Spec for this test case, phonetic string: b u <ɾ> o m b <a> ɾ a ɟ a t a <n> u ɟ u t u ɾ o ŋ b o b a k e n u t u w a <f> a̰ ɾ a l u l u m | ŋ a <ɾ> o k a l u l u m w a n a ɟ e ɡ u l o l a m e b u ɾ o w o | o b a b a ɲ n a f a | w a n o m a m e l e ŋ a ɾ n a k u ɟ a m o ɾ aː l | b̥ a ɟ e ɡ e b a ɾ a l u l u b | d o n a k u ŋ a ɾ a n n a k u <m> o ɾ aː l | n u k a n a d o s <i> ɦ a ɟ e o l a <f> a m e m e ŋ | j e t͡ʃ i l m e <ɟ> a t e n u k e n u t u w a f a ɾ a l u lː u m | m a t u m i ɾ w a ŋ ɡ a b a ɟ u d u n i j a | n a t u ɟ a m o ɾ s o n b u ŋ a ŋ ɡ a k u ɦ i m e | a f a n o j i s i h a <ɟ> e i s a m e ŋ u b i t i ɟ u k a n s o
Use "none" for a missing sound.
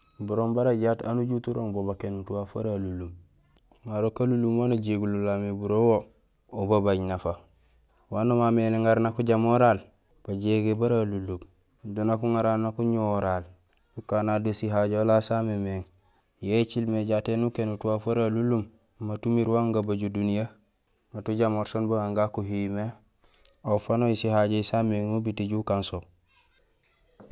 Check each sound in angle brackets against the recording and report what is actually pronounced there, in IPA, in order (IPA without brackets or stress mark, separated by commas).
ɾ, a, n, f, ɾ, ɲ, i, s, ɟ, ɟ